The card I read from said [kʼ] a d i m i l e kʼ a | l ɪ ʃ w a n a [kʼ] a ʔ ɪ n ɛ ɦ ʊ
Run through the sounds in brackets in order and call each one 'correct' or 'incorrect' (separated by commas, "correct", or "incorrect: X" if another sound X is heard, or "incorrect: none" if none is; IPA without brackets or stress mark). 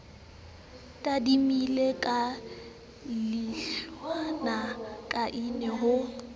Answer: incorrect: tʼ, correct